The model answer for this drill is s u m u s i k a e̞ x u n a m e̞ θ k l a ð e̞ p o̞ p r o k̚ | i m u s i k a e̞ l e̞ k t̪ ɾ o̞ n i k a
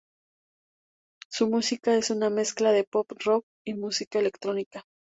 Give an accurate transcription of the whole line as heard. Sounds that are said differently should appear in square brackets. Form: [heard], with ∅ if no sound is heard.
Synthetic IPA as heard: s u m u s i k a e̞ [s] u n a m e̞ [s] k l a ð e̞ p o̞ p r o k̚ | i m u s i k a e̞ l e̞ k t̪ ɾ o̞ n i k a